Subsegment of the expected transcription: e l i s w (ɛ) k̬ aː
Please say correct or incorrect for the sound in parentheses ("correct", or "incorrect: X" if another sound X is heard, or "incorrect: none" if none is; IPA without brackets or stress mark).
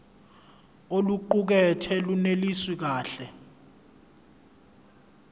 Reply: incorrect: i